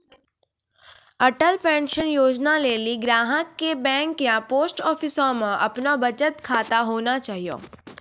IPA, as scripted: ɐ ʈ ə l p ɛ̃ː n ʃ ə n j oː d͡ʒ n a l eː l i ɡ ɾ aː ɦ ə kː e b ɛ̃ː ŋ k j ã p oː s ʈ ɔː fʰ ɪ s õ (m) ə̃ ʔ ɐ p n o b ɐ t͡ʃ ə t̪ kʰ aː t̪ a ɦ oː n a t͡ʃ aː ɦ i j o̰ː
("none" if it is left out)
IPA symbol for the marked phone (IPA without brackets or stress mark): m